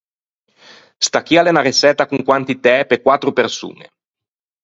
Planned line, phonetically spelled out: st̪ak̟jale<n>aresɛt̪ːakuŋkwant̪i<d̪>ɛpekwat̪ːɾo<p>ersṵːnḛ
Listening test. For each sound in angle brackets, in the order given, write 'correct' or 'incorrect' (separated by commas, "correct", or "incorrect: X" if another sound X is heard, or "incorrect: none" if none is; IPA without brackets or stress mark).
correct, incorrect: t̪, correct